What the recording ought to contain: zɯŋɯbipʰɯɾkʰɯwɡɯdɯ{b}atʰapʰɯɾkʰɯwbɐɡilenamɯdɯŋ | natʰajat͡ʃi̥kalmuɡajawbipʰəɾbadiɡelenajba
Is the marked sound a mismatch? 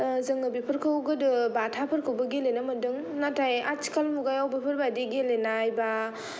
no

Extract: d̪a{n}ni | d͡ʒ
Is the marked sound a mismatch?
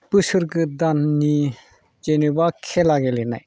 no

